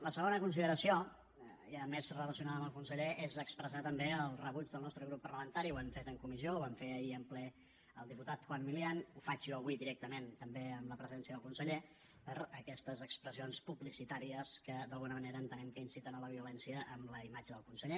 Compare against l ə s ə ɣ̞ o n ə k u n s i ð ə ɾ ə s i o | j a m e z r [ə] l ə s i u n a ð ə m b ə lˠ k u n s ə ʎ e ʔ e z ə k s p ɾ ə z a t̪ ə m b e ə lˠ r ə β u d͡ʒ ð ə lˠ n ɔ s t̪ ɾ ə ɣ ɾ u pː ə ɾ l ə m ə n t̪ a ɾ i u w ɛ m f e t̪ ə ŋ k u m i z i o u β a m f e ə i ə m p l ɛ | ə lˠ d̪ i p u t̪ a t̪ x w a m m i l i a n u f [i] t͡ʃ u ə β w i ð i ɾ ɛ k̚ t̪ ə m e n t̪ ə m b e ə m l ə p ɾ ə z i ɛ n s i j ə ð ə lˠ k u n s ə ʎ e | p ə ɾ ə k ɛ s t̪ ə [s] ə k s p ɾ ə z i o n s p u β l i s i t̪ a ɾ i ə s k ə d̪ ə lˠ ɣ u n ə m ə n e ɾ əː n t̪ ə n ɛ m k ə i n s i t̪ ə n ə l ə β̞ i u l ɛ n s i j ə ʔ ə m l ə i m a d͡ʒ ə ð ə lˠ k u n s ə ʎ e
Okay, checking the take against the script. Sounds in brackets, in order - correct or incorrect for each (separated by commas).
correct, incorrect, incorrect